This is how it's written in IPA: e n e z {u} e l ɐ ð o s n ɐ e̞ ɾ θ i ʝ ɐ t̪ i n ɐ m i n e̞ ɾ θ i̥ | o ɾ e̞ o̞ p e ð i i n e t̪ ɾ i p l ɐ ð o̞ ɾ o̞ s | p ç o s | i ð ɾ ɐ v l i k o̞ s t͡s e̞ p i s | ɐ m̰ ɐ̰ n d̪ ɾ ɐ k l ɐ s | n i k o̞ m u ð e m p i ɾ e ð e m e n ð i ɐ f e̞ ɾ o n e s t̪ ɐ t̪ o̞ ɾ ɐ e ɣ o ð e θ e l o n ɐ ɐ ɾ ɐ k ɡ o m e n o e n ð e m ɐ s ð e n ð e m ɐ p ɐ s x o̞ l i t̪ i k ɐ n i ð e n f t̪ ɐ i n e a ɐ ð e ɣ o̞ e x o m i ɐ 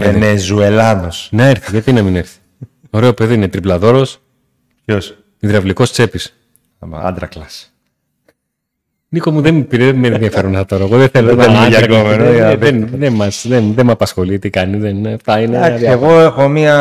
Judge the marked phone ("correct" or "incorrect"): correct